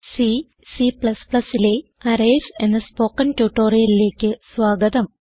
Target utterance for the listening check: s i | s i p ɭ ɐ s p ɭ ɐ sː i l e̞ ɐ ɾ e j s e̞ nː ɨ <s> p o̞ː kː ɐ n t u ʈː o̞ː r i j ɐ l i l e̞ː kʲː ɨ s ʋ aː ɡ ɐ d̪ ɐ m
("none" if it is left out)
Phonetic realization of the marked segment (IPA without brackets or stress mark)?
s